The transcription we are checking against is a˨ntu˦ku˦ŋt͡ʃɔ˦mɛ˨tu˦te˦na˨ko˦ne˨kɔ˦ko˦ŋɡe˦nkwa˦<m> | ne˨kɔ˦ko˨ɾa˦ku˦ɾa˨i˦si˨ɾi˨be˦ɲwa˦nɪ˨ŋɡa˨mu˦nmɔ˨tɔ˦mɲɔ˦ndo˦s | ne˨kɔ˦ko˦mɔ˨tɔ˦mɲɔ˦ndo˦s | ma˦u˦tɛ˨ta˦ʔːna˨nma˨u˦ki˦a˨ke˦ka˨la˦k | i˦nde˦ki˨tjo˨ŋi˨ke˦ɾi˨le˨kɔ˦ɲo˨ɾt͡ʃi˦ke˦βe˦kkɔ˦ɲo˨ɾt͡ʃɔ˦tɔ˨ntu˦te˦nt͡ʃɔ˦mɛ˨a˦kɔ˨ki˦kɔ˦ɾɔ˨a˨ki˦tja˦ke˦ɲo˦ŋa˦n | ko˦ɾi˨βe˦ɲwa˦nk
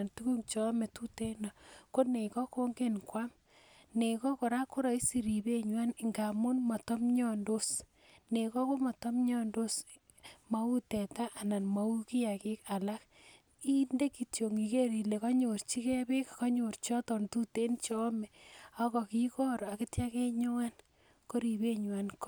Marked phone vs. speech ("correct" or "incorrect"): correct